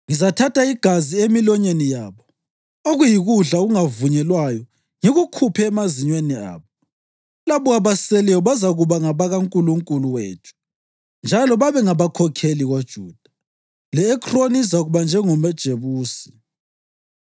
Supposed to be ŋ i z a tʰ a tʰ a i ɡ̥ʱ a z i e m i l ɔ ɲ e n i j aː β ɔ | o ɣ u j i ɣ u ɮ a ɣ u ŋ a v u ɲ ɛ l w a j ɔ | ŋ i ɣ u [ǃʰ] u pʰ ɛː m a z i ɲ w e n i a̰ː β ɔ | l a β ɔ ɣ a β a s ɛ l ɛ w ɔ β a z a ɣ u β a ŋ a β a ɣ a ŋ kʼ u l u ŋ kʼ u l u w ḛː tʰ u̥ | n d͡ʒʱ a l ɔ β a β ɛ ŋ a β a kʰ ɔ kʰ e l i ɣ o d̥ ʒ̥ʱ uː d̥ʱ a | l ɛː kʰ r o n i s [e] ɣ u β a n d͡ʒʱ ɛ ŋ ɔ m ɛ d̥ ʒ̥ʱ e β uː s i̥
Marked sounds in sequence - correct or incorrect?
incorrect: kʰ, incorrect: a

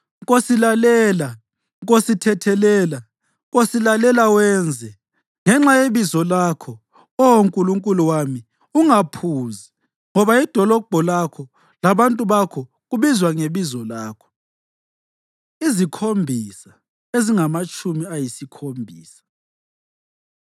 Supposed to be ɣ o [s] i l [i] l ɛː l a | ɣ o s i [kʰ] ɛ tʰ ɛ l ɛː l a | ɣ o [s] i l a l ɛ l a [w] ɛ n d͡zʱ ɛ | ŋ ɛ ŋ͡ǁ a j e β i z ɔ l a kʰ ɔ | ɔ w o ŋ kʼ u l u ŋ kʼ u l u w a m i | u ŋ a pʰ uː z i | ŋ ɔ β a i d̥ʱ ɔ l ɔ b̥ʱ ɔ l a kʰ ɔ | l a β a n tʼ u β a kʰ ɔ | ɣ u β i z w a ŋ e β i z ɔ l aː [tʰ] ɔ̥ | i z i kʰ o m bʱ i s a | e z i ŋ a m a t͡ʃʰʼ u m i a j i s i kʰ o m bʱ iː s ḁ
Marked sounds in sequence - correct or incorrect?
correct, incorrect: a, incorrect: tʰ, correct, correct, incorrect: kʰ

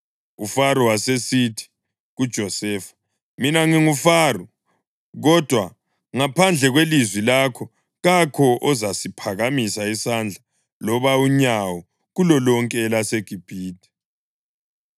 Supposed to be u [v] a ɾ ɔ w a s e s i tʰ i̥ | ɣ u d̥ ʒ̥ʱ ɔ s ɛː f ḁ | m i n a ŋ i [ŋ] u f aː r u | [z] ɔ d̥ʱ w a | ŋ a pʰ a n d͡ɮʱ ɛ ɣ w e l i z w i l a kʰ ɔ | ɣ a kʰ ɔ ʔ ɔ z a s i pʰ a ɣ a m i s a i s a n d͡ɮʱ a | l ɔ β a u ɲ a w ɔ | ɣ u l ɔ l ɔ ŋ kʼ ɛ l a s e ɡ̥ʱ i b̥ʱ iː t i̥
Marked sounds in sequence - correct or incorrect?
incorrect: f, correct, incorrect: ɣ

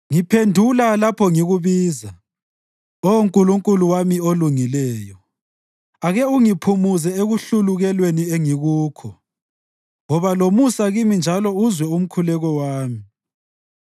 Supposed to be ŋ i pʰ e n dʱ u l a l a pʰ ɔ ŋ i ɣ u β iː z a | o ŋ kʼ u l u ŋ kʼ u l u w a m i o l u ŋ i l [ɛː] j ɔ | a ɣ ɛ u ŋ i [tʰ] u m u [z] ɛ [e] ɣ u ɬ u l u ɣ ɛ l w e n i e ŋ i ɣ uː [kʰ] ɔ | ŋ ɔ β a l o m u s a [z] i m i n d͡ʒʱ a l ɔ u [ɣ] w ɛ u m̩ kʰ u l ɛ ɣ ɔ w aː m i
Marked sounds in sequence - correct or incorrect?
correct, incorrect: pʰ, correct, correct, correct, incorrect: ɣ, incorrect: z

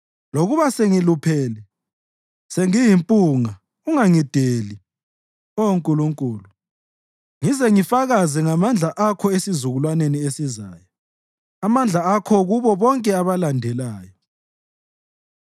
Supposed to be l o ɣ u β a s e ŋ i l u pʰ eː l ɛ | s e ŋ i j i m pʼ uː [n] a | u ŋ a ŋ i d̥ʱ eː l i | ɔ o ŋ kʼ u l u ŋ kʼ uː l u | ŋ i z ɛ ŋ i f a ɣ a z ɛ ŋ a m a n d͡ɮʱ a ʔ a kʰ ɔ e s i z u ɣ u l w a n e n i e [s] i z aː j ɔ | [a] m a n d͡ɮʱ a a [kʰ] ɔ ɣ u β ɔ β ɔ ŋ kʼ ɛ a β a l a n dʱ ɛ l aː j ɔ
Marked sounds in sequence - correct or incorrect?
incorrect: ŋ, correct, correct, correct

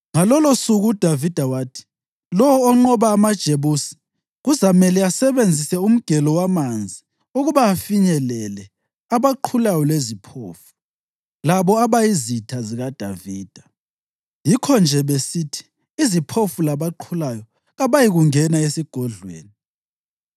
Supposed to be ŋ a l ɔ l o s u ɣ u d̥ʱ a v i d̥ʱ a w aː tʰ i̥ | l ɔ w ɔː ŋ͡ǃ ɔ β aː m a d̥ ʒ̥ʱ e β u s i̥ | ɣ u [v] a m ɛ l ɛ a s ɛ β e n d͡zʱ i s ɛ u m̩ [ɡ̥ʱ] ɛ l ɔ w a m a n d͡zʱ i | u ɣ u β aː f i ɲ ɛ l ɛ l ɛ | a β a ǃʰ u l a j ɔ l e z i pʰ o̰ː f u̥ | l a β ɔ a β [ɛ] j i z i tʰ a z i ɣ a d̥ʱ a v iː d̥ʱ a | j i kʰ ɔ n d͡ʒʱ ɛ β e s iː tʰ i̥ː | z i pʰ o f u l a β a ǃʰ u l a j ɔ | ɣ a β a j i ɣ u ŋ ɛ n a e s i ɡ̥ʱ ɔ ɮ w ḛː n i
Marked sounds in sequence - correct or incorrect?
incorrect: z, correct, incorrect: a

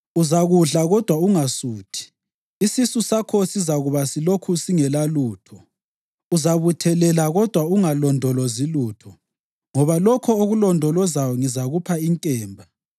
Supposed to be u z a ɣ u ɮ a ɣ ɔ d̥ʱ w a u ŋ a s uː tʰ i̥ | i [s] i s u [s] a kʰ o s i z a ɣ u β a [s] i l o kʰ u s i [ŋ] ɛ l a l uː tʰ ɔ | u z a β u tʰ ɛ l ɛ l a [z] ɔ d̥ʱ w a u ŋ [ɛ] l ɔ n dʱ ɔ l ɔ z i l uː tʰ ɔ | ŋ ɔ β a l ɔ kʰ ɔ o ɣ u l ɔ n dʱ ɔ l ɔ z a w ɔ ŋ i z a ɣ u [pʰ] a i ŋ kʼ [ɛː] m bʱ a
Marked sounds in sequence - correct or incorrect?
correct, correct, correct, correct, incorrect: ɣ, incorrect: a, correct, correct

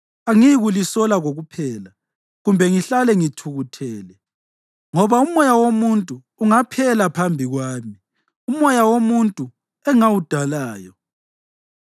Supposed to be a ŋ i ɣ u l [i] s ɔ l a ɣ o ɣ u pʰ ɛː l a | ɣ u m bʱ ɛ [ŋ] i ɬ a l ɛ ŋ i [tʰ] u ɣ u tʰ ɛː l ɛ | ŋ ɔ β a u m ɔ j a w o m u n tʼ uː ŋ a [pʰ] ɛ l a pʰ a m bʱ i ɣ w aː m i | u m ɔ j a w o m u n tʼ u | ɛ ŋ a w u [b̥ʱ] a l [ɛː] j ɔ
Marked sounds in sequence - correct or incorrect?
correct, correct, correct, correct, incorrect: d̥ʱ, incorrect: aː

